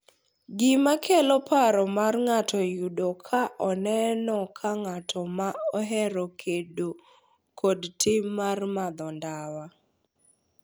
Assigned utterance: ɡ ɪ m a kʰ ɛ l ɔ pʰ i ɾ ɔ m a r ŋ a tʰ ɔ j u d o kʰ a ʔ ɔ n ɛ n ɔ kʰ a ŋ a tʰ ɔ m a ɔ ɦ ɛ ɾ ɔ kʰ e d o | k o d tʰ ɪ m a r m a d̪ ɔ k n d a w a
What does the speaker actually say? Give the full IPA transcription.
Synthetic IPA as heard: ɡ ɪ m a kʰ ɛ l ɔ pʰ a ɾ ɔ m a r ŋ a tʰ ɔ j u d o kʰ a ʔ ɔ n ɛ n ɔ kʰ a ŋ a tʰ ɔ m a ɔ ɦ ɛ ɾ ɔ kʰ e d o | k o d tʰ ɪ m a r m a d̪ ɔ n d a w a